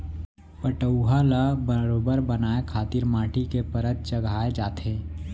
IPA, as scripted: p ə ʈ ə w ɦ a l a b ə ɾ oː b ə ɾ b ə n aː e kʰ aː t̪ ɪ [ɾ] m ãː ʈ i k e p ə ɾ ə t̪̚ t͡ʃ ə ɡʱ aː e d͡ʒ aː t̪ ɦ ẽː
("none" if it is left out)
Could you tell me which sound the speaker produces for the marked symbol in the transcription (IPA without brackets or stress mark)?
ɾ